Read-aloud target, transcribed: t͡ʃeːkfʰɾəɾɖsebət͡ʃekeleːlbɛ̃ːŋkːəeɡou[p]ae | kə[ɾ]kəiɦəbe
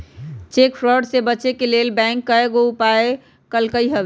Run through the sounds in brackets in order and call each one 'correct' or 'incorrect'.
correct, incorrect

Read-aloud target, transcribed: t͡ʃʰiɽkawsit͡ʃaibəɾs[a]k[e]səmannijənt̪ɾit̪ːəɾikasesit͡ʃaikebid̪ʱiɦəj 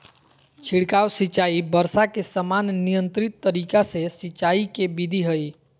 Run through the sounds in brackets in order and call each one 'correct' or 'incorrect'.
correct, correct

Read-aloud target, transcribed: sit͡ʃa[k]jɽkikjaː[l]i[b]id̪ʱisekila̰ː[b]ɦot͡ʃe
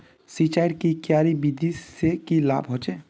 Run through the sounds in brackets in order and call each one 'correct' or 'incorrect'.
incorrect, incorrect, correct, correct

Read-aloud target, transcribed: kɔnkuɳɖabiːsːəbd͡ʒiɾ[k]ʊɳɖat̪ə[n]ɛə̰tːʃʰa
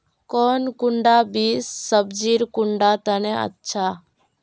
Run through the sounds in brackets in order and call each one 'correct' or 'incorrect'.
correct, correct

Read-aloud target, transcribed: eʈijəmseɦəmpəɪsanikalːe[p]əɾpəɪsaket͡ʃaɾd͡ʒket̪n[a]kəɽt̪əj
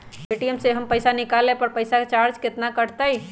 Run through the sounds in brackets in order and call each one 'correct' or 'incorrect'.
correct, correct

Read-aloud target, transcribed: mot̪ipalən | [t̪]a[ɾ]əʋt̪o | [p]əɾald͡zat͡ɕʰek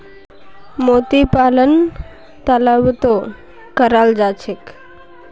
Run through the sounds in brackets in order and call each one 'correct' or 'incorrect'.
correct, incorrect, incorrect

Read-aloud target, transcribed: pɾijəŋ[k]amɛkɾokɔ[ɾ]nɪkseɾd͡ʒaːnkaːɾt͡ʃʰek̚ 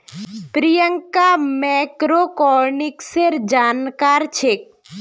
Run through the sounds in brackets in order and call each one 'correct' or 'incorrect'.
correct, correct

